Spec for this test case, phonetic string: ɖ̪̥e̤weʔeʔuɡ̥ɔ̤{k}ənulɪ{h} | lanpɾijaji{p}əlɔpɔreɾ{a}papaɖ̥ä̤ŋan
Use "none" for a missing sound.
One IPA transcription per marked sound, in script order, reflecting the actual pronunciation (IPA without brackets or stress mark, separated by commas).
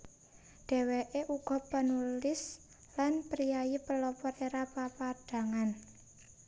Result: p, s, p, a